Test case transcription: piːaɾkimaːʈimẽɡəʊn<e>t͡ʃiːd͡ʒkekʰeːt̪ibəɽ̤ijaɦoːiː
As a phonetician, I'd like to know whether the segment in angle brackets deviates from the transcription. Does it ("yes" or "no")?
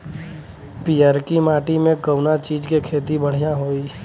yes